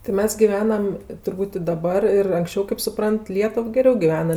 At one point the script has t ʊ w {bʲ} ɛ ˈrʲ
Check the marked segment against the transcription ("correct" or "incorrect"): incorrect